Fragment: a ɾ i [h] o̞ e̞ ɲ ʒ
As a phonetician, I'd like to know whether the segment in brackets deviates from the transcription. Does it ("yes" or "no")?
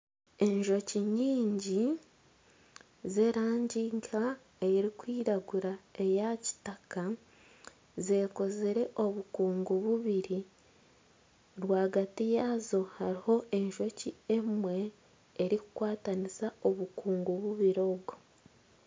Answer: no